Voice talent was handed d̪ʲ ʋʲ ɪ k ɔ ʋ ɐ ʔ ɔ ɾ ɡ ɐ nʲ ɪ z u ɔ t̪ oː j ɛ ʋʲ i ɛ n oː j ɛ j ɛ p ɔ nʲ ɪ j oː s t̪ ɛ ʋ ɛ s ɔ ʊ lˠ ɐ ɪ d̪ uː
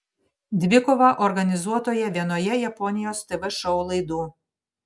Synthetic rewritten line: d̪ʲ ʋʲ ɪ k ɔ ʋ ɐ ʔ ɔ ɾ ɡ ɐ nʲ ɪ z u ɔ t̪ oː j ɛ ʋʲ i ɛ n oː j ɛ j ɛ p ɔ nʲ ɪ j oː s t̪ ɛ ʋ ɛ ʃ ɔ ʊ lˠ ɐ ɪ d̪ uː